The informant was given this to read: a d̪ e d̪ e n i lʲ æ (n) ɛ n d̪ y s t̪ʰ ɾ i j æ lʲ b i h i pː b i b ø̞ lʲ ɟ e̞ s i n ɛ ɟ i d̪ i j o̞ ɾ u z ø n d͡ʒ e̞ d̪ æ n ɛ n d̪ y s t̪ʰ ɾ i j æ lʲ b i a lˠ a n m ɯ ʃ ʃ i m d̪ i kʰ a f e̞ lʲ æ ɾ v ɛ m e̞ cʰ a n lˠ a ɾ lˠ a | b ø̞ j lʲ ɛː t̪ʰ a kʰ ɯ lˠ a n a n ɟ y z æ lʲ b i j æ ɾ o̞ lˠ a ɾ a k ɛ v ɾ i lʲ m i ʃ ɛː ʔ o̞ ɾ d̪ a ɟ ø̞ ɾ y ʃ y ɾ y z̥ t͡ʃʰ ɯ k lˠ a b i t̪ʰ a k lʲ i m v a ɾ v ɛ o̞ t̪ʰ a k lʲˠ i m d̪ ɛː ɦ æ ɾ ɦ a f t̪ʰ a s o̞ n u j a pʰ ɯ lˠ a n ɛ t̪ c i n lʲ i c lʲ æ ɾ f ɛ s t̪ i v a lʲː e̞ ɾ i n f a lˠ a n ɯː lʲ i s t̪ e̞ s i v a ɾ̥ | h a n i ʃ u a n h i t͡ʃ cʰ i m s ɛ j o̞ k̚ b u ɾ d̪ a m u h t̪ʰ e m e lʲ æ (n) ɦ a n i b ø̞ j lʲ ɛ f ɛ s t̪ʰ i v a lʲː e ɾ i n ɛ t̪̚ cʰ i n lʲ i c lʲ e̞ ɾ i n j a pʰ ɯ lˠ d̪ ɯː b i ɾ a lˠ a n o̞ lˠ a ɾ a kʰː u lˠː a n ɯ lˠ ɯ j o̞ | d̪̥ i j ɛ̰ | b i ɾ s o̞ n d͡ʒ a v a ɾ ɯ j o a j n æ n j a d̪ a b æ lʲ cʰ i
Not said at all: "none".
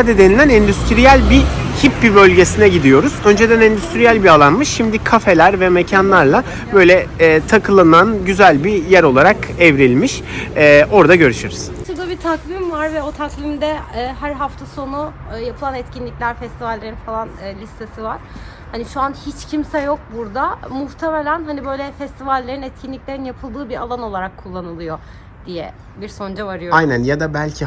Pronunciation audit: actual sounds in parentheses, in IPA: n, n

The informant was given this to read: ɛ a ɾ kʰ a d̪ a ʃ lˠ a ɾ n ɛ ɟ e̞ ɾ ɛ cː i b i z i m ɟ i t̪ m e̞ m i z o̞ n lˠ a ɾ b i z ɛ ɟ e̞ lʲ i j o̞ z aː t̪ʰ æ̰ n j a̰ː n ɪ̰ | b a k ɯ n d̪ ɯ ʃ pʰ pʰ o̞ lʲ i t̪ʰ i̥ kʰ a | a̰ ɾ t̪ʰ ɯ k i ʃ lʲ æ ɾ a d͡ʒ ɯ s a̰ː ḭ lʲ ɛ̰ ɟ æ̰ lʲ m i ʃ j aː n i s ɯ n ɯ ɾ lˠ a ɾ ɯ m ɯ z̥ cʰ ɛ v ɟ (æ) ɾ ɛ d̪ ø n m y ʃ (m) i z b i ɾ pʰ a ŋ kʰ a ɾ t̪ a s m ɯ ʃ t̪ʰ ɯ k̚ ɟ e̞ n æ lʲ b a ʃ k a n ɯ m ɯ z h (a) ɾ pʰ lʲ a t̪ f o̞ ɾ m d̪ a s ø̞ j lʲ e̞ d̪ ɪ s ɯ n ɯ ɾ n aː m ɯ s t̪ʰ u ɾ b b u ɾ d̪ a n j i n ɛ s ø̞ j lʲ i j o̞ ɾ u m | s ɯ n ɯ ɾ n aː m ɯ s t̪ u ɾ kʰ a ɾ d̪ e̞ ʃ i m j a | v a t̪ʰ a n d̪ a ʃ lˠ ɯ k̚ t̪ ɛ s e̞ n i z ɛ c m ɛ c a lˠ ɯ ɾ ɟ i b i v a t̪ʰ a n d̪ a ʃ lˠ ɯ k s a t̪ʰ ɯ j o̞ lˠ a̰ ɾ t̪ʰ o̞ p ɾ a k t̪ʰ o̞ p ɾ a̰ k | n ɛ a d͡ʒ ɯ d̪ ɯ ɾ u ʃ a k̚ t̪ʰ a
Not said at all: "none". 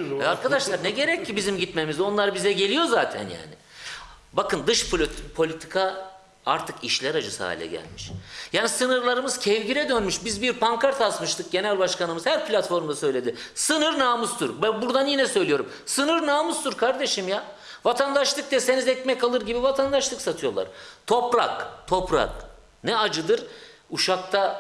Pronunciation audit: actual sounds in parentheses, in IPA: i, b, æ

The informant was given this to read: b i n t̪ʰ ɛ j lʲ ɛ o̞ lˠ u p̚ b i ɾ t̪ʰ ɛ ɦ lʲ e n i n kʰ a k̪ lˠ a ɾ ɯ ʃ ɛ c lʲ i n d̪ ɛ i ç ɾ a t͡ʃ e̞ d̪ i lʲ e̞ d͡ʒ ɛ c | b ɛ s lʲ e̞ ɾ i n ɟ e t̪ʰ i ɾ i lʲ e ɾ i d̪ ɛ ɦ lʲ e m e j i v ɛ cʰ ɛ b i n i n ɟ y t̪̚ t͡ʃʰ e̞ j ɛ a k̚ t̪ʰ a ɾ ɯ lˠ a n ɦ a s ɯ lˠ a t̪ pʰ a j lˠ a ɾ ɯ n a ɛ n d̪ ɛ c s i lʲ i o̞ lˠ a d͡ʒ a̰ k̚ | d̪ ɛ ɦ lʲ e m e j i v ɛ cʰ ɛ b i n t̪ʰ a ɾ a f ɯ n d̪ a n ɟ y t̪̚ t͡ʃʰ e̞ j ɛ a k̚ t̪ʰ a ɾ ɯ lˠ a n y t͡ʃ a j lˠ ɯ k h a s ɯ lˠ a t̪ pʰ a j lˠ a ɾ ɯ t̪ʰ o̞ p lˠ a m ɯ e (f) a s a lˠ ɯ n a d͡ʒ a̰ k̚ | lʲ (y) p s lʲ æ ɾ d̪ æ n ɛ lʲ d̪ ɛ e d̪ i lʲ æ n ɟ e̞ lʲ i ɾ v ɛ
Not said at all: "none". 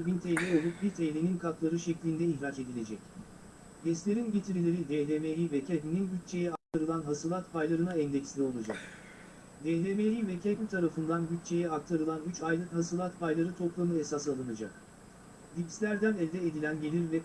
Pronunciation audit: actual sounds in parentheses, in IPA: s, i

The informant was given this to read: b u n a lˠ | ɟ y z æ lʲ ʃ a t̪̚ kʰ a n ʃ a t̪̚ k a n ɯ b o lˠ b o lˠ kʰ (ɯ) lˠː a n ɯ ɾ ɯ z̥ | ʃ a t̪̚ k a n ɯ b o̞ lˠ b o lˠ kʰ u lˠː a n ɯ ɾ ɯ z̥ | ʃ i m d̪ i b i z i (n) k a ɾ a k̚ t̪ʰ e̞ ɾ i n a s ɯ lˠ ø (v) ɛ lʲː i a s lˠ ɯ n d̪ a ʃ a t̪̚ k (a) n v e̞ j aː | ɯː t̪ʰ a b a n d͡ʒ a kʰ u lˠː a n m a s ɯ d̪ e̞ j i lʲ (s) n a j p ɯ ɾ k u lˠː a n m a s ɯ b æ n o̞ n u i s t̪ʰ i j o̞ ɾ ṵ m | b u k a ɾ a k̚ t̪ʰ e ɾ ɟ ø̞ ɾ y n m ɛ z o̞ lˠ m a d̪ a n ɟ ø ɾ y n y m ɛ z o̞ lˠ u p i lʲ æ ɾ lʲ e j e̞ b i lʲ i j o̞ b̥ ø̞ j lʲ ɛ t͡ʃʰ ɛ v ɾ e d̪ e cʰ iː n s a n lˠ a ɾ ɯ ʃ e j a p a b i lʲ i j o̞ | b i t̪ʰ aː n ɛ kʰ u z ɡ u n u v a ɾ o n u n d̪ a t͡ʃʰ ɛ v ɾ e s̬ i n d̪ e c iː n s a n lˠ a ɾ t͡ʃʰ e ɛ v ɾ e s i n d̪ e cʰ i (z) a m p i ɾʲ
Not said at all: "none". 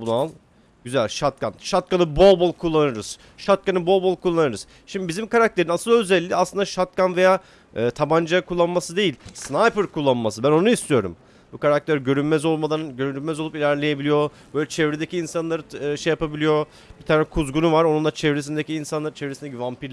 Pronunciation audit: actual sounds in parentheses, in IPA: u, m, z, a, s, v

